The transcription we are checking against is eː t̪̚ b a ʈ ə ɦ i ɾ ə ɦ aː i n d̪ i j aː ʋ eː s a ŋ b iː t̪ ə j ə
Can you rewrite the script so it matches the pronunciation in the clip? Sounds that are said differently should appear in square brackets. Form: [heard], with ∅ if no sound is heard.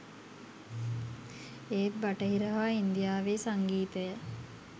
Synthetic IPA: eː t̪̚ b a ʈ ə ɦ i ɾ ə ɦ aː i n d̪ i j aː ʋ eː s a ŋ [ɡ] iː t̪ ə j ə